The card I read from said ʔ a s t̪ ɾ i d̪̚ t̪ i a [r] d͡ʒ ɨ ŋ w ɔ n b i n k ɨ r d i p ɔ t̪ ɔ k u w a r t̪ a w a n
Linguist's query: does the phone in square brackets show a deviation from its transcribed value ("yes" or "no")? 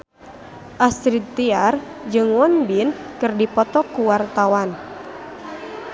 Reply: no